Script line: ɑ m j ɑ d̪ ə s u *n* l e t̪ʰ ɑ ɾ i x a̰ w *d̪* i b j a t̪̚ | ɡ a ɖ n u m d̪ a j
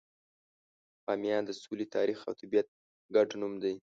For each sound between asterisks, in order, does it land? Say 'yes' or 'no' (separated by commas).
no, no